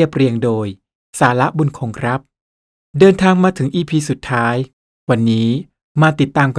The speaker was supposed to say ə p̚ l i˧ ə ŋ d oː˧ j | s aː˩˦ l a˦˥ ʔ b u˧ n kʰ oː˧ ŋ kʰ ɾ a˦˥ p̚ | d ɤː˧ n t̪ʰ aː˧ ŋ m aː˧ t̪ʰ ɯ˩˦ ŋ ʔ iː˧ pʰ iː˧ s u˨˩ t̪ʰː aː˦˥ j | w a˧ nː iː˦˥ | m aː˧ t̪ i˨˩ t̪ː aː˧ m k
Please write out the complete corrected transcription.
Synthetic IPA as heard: ə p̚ ɾ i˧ ə ŋ d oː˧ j | s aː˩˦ l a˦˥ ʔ b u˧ n kʰ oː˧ ŋ kʰ ɾ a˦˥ p̚ | d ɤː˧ n t̪ʰ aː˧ ŋ m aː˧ t̪ʰ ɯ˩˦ ŋ ʔ iː˧ pʰ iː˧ s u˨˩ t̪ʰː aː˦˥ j | w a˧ nː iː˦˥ | m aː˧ t̪ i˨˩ t̪ː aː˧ m k